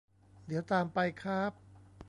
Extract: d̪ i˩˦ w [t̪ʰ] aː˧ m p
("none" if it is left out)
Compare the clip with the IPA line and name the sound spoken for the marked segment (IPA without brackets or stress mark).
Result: t̪